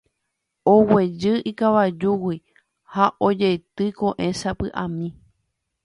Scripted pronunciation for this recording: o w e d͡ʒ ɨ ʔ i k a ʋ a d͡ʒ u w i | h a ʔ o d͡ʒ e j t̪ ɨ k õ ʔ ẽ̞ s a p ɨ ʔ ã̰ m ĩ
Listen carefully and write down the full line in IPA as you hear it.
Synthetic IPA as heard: o w e d͡ʒ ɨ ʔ i k a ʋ a d͡ʒ u w i | h a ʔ o d͡ʒ e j t̪ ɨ k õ ʔ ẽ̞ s a p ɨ ʔ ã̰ m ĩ